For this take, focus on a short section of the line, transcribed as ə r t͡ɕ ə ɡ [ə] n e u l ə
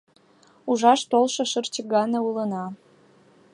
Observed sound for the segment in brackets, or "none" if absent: ɑ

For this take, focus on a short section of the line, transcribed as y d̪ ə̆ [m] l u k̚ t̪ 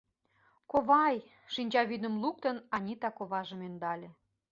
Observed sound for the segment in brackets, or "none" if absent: m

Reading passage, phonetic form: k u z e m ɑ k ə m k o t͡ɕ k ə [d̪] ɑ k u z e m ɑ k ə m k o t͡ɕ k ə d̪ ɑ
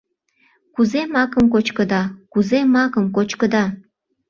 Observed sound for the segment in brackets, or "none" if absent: d̪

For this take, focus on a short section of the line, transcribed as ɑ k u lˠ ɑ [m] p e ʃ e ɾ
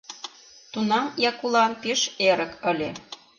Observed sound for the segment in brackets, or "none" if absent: n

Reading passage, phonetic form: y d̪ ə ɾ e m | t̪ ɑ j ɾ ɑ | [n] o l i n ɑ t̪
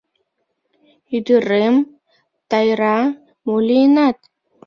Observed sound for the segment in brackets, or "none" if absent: m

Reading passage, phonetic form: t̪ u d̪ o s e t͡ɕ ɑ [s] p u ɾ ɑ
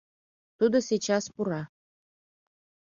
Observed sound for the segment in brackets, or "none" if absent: s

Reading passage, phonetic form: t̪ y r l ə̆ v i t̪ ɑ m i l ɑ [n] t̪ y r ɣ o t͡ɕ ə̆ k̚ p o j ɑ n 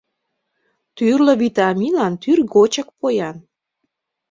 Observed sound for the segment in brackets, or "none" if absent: n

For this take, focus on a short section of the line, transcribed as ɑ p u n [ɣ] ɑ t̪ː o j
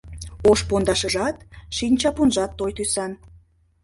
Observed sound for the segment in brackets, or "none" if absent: ʒ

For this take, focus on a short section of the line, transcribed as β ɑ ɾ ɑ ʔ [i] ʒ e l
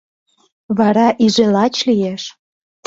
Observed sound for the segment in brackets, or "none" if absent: i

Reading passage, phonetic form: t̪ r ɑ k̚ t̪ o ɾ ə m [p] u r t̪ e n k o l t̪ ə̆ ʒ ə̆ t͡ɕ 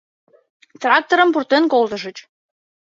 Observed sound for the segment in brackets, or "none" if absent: p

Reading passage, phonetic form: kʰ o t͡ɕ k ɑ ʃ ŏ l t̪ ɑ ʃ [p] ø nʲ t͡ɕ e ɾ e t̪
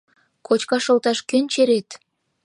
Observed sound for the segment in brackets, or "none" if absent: k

